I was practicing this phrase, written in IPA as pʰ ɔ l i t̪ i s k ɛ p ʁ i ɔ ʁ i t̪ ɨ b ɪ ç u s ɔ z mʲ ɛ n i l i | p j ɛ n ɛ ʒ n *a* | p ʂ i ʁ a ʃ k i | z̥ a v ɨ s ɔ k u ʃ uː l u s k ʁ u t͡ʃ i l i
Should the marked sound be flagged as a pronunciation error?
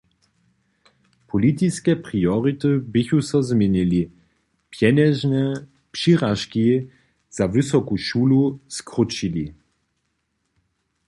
yes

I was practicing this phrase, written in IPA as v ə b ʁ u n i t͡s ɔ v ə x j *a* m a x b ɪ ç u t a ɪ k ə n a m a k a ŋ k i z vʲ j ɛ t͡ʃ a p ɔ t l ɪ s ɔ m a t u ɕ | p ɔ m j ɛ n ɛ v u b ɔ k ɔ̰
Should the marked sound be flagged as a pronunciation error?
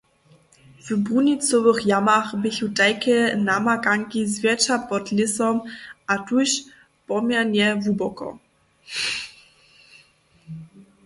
no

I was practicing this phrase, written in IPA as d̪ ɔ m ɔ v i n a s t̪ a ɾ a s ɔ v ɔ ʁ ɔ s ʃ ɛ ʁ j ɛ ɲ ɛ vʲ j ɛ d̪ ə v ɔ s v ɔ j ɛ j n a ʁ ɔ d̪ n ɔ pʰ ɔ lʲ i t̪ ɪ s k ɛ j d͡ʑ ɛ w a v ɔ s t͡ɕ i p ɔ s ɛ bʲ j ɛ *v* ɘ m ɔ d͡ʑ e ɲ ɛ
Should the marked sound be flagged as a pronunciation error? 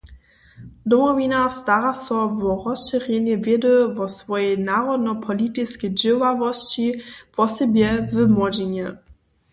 no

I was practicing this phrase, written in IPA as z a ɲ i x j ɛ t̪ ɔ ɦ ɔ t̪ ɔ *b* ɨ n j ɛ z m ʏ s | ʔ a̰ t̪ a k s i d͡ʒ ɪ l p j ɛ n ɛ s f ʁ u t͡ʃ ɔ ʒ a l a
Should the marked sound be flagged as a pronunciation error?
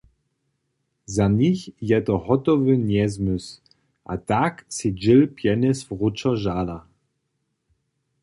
yes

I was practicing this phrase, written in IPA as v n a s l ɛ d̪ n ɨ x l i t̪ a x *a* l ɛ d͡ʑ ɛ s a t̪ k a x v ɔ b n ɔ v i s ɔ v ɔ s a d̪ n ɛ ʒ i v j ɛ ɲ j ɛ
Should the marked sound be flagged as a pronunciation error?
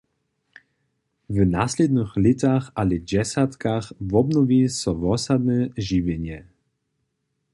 no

